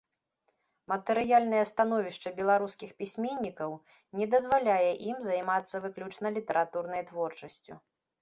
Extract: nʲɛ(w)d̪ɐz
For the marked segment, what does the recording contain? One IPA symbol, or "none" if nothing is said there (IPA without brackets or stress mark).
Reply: none